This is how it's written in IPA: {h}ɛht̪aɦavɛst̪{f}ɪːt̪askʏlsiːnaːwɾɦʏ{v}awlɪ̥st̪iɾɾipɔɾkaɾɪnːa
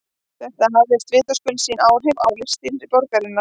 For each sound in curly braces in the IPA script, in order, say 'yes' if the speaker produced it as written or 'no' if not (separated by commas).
no, no, yes